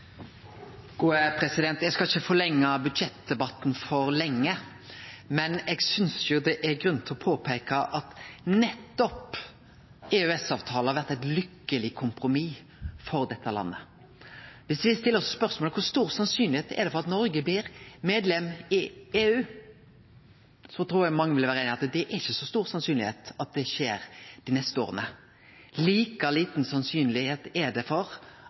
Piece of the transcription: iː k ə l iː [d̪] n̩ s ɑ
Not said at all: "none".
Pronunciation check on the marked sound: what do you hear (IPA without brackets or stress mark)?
t̪